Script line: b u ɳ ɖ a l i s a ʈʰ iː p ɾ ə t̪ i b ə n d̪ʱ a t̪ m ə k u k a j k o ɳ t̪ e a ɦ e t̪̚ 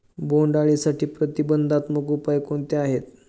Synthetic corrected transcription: b o ɳ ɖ a ɭ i s a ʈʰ iː p ɾ ə t̪ i b ə n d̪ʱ a t̪ m ə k u p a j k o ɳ t̪ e a ɦ e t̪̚